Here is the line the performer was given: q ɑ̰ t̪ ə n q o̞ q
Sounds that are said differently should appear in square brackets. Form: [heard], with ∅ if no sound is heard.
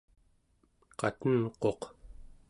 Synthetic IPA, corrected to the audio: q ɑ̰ t̪ ə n q o̞ q